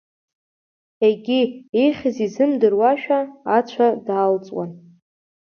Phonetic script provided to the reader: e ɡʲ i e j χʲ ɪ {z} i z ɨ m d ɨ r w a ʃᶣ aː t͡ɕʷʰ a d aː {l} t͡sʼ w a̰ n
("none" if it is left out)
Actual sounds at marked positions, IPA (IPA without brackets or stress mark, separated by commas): z, l